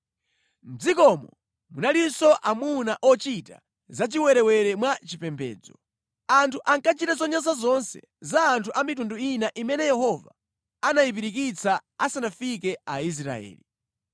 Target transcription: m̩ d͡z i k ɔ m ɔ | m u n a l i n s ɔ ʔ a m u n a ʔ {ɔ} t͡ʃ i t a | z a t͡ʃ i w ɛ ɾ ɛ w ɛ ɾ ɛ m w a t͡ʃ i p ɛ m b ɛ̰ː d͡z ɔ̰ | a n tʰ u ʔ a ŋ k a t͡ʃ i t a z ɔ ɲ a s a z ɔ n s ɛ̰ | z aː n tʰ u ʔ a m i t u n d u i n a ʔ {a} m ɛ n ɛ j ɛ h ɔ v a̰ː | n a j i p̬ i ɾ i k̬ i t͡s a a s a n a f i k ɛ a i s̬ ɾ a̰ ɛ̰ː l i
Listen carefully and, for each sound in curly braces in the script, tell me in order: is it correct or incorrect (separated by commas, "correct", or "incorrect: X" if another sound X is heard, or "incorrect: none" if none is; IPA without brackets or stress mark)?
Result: correct, incorrect: i